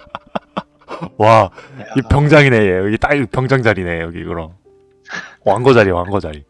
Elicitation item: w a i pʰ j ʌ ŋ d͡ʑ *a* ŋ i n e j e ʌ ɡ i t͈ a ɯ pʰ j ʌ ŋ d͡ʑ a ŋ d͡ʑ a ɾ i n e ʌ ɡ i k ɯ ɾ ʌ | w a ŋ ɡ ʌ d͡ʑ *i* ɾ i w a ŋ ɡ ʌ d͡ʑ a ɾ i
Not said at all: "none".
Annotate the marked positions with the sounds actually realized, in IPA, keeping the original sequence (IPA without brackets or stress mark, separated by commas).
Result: a, a